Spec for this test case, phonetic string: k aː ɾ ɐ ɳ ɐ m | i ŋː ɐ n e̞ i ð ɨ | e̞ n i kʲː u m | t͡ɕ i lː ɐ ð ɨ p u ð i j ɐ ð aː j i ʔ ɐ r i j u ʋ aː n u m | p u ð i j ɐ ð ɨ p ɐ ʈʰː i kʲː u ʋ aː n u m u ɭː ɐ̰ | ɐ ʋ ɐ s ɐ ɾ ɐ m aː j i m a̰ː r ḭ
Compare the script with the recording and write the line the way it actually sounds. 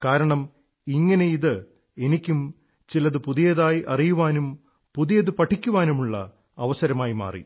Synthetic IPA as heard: k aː ɾ ɐ ɳ ɐ m | i ŋː ɐ n e̞ i ð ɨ | e̞ n i kʲː u m | t͡ɕ i l ɐ ð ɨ p u ð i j ɐ ð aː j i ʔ ɐ r i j u ʋ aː n u m | p u ð i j ɐ ð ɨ p ɐ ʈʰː i kʲː u ʋ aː n u m u ɭː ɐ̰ | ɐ ʋ ɐ s ɐ ɾ ɐ m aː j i m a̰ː r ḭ